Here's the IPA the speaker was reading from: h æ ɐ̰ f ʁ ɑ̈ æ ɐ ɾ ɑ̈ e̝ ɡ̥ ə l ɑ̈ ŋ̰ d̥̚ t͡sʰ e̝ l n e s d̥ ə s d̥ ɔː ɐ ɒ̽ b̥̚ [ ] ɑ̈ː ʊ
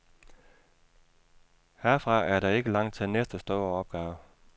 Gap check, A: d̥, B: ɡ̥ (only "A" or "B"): B